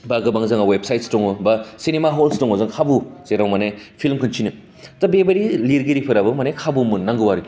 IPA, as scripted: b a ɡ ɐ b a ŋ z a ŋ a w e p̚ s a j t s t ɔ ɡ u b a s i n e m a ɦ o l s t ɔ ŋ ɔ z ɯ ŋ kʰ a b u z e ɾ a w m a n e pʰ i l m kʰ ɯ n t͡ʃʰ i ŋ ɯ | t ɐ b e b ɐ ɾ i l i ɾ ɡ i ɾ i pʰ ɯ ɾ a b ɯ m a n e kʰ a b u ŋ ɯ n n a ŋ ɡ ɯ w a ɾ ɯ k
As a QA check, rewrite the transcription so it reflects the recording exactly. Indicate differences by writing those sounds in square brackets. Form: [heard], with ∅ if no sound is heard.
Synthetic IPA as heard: b a ɡ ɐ b a ŋ z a ŋ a w e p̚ s a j t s t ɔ [ŋ] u b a s i n e m a ɦ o l s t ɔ ŋ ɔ z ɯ ŋ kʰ a b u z e ɾ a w m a n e pʰ i l m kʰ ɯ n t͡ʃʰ i [n] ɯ | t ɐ b e b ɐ ɾ i l i ɾ ɡ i ɾ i pʰ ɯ ɾ a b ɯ m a n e kʰ a b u [m] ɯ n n a ŋ ɡ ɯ w a ɾ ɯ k